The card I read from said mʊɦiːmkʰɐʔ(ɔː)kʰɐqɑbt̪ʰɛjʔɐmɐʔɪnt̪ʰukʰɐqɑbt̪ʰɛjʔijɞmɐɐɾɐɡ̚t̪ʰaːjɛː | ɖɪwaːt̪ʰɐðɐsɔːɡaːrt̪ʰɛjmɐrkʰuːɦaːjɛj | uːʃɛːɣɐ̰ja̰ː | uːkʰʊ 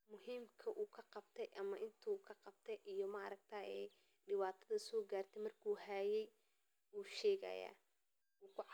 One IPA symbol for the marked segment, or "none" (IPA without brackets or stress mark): uː